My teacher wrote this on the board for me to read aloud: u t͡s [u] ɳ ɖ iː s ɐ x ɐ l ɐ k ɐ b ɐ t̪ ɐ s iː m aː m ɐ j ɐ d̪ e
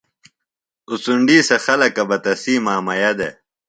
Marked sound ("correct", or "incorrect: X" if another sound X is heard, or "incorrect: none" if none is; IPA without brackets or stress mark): correct